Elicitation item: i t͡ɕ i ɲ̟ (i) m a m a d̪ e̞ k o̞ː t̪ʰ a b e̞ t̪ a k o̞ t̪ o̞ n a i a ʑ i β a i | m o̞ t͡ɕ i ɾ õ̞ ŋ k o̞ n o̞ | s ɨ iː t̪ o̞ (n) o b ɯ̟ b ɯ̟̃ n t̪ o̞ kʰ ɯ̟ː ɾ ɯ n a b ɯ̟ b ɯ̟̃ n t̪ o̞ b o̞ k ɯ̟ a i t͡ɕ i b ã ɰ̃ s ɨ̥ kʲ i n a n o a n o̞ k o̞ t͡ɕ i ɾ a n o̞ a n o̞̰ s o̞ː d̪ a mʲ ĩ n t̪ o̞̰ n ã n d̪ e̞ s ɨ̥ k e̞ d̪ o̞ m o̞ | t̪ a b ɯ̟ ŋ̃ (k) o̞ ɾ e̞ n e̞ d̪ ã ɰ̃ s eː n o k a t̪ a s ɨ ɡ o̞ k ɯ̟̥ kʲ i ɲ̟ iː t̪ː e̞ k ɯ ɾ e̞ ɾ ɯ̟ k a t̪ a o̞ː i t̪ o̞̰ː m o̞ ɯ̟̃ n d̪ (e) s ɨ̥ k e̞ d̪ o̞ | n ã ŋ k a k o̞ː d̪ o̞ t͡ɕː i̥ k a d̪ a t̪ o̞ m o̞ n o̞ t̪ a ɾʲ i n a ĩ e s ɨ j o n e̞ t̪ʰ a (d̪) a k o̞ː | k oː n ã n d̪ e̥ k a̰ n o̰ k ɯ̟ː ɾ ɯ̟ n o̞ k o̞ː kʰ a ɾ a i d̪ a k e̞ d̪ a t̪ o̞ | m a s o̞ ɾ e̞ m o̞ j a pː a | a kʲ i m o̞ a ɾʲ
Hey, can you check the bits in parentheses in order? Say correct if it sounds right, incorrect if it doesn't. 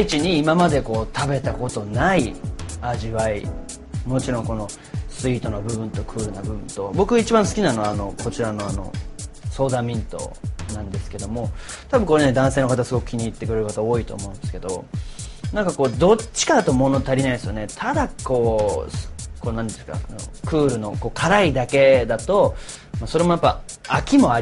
incorrect: iː, correct, correct, correct, correct

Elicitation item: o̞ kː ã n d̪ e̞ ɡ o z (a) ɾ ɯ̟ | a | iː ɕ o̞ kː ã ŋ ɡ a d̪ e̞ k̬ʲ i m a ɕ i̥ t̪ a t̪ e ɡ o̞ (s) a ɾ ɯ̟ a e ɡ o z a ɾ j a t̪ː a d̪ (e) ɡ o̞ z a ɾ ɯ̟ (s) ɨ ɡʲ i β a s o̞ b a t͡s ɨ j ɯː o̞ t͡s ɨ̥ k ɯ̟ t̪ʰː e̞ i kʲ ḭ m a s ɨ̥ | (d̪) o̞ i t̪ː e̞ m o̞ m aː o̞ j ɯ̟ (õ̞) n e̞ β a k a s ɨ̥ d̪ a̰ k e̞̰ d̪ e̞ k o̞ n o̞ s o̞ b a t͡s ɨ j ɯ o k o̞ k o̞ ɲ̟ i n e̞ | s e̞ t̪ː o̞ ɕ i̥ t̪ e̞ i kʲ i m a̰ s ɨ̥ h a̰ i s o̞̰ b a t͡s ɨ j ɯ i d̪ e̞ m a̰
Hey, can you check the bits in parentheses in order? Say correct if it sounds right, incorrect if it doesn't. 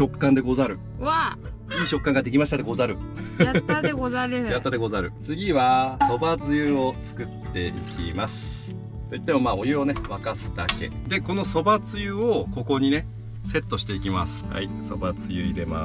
correct, incorrect: z, correct, incorrect: t͡s, incorrect: t̪, incorrect: o̞

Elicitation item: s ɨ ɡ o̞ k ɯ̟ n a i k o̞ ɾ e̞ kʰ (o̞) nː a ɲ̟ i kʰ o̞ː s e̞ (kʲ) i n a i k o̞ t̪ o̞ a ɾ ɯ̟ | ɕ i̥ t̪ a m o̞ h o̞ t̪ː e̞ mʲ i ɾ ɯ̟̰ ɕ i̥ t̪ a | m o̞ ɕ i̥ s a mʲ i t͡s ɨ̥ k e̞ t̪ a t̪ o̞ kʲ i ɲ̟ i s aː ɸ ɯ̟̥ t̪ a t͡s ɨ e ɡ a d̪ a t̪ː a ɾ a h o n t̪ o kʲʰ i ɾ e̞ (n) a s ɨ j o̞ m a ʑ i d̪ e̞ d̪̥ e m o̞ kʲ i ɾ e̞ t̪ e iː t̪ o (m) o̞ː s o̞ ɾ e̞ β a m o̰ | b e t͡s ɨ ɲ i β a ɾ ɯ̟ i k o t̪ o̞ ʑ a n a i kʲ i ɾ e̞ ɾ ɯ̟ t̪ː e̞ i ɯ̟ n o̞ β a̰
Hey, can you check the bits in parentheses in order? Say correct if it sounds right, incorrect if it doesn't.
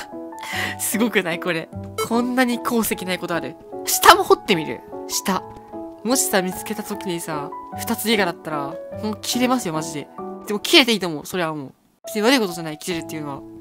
incorrect: õ̞, correct, incorrect: m, correct

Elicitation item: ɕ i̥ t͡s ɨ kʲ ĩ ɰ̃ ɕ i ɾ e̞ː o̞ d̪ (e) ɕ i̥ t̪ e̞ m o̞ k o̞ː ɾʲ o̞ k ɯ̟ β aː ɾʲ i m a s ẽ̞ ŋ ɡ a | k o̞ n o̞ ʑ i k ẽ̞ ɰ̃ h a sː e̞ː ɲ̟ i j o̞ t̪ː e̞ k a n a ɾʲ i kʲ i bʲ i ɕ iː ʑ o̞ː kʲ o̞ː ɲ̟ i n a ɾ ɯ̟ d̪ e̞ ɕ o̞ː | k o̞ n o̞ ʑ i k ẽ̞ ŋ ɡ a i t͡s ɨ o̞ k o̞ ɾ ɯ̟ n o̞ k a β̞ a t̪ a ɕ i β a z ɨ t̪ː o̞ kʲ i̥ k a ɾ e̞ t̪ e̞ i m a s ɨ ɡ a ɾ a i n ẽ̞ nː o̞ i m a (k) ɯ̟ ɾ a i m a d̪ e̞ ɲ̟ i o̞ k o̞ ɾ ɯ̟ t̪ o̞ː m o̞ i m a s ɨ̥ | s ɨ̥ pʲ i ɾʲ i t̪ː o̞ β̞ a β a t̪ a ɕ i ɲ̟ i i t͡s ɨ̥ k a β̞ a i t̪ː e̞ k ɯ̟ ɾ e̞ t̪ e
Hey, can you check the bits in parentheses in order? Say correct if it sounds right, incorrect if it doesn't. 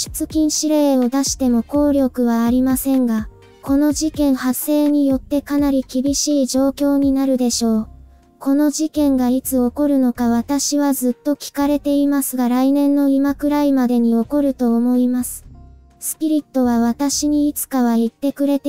incorrect: a, correct

